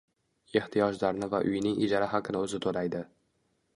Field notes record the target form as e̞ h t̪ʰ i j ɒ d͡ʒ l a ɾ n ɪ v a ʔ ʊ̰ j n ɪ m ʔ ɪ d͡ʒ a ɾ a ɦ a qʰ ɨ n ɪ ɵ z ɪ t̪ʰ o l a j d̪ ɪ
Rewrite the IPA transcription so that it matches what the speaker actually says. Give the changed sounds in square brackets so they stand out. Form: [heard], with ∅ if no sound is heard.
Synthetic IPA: e̞ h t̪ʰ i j ɒ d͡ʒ l a ɾ n ɪ v a ʔ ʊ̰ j n ɪ [ŋ] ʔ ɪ d͡ʒ a ɾ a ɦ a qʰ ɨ n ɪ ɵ z ɪ t̪ʰ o l a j d̪ ɪ

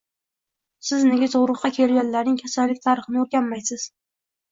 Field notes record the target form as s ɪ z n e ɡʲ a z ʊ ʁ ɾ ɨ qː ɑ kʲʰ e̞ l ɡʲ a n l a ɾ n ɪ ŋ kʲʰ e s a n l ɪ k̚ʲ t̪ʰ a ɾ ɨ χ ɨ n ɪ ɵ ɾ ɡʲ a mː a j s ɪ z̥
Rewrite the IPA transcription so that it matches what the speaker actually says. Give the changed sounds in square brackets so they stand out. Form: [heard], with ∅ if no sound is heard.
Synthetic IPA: s ɪ z n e ɡʲ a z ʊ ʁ ɾ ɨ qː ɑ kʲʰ e̞ l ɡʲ a n l a ɾ n ɪ ŋ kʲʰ [a] s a n l ɪ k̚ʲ t̪ʰ a ɾ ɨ χ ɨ n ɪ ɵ ɾ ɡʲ a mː a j s ɪ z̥

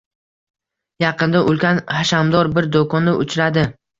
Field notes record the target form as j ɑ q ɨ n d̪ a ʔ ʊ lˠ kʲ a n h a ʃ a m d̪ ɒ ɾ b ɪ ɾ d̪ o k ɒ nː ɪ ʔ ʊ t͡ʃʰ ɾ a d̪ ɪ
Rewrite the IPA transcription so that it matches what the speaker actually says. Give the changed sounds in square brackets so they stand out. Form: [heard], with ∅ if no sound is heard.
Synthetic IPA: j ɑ q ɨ n d̪ a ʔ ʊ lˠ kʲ a n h a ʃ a m d̪ ɒ ɾ b ɪ ɾ d̪ o k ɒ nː ɪ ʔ ʊ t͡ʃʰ ɾ a d̪ ɪ

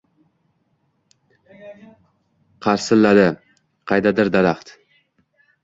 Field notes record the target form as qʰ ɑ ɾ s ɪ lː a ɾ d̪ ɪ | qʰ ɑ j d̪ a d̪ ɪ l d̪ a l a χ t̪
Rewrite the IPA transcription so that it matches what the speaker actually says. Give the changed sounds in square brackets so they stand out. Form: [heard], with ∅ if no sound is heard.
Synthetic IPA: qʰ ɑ ɾ s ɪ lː a [∅] d̪ ɪ | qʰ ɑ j d̪ a d̪ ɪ [ɾ] d̪ a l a χ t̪

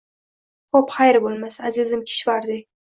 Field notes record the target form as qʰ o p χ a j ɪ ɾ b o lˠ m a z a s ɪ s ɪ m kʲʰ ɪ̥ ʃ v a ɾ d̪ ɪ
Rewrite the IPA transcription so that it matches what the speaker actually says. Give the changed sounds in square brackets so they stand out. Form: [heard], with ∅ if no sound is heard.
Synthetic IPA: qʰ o p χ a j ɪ ɾ b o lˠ m a [s] a [z] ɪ [z] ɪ m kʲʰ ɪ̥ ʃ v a ɾ d̪ ɪ

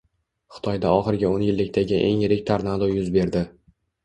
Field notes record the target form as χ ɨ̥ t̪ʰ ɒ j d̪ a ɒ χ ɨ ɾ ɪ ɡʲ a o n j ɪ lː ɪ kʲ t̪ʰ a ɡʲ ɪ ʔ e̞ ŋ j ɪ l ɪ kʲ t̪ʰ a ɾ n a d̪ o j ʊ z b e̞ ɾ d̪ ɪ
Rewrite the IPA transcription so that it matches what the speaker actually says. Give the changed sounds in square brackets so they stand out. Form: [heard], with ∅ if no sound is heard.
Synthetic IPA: χ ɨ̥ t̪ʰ ɒ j d̪ a ɒ χ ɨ ɾ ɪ ɡʲ a o n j ɪ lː ɪ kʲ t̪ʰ a ɡʲ ɪ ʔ e̞ ŋ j ɪ [ɾ] ɪ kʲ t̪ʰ a ɾ n a d̪ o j ʊ z b e̞ ɾ d̪ ɪ

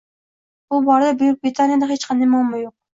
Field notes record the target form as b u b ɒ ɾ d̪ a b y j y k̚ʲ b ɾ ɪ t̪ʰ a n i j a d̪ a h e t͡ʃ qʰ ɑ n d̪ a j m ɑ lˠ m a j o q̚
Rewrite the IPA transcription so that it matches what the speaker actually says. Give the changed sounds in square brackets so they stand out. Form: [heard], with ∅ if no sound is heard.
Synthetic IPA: b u b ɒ ɾ d̪ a b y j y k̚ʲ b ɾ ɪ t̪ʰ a n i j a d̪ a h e t͡ʃ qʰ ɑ n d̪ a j m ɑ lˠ m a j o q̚

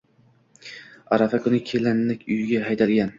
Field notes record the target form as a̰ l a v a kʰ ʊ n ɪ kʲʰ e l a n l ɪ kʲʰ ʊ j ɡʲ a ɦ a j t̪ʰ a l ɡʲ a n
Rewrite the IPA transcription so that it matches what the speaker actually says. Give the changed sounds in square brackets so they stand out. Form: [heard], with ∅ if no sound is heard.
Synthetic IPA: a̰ [ɾ] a [f] a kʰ ʊ n ɪ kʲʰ e l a n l ɪ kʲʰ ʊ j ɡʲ a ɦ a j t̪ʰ a l ɡʲ a n

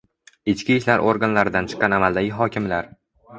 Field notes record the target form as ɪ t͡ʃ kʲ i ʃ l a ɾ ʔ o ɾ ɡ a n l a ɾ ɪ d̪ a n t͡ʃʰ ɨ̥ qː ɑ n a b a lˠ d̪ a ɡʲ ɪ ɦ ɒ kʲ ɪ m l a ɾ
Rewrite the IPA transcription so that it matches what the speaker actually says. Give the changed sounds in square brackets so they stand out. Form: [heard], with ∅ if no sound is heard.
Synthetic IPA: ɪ t͡ʃ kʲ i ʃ l a ɾ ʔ o ɾ ɡ a n l a ɾ ɪ d̪ a n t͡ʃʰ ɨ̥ qː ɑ n a [m] a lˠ d̪ a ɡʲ ɪ ɦ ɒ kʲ ɪ m l a ɾ

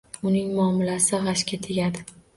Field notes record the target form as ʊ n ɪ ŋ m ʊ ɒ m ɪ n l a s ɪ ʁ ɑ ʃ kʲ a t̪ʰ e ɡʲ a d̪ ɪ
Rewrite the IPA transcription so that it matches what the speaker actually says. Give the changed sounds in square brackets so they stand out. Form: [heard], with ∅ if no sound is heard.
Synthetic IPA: ʊ n ɪ ŋ m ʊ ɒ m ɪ [∅] l a s ɪ ʁ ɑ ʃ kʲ a t̪ʰ e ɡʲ a d̪ ɪ

